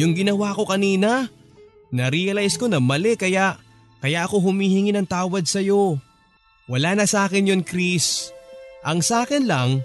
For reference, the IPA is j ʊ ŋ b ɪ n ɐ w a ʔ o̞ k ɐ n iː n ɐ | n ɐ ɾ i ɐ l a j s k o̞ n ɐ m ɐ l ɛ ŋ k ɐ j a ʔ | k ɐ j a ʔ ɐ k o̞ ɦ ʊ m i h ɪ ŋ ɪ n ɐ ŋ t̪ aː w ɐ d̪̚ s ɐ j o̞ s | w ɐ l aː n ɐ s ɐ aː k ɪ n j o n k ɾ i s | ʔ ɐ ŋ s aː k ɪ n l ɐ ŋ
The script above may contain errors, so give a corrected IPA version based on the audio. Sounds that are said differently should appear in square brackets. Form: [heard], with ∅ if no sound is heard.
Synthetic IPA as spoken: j ʊ ŋ [ɡ] ɪ n ɐ w a [k] o̞ k ɐ n iː n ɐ | n ɐ ɾ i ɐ l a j s k o̞ n ɐ m ɐ l ɛ [∅] k ɐ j a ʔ | k ɐ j a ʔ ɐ k o̞ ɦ ʊ m i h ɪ ŋ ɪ n ɐ ŋ t̪ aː w ɐ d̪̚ s ɐ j o̞ [∅] | w ɐ l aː n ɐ s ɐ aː k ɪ n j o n k ɾ i s | ʔ ɐ ŋ s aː k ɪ n l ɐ ŋ